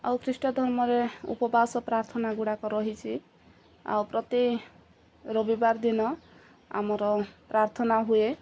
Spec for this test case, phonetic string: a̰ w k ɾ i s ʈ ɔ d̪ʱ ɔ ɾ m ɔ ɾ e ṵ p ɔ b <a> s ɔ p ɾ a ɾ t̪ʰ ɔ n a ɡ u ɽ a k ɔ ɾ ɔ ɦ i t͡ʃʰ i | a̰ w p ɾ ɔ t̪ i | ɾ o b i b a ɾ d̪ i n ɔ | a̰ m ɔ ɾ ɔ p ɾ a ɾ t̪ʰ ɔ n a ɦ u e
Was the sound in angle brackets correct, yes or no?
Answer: yes